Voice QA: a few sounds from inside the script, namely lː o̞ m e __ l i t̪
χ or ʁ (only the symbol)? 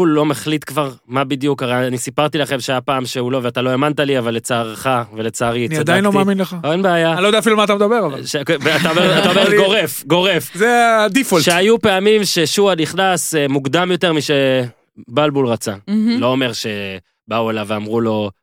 χ